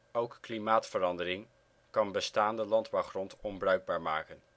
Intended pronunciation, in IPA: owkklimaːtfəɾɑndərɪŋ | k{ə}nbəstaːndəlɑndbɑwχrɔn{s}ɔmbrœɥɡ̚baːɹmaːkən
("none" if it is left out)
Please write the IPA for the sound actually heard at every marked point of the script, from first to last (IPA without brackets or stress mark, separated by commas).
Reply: ɑ, t